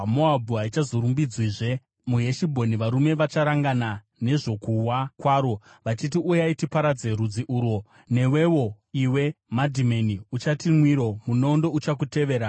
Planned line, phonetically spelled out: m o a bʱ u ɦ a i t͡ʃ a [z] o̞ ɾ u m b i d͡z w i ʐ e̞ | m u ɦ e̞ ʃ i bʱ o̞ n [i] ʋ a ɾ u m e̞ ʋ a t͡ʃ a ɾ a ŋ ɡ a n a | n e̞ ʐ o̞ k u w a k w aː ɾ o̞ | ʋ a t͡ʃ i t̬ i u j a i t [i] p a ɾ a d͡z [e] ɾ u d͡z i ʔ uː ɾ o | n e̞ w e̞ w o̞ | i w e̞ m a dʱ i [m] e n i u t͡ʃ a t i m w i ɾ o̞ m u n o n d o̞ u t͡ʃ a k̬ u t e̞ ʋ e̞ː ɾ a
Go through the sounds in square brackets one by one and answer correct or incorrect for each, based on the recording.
correct, correct, correct, correct, correct

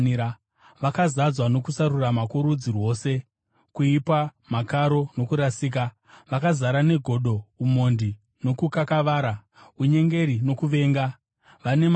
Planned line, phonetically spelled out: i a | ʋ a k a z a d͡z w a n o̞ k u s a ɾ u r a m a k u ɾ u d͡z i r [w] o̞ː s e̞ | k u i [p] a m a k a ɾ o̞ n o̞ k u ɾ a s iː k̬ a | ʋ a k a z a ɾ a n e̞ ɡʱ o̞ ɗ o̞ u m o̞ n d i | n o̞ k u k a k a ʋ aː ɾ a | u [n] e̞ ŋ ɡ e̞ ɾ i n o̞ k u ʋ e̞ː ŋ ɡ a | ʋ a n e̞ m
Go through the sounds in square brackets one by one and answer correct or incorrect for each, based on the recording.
correct, correct, incorrect: ɲ

